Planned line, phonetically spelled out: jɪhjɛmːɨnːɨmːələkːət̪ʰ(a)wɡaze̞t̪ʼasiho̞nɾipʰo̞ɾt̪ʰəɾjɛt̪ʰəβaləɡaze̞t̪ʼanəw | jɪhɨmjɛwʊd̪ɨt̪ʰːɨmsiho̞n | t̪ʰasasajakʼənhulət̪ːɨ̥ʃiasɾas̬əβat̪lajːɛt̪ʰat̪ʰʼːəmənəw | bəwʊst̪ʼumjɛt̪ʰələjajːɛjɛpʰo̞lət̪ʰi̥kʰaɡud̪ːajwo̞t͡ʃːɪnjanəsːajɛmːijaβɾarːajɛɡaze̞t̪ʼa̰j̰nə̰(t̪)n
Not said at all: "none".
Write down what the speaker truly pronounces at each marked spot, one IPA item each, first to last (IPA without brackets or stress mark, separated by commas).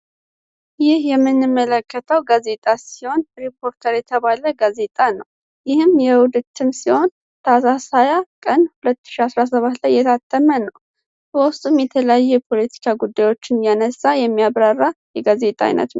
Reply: ə, t̪